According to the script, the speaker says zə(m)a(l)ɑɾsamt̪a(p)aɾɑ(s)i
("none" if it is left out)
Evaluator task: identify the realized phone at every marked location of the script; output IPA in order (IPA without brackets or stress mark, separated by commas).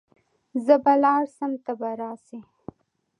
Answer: b, l, b, s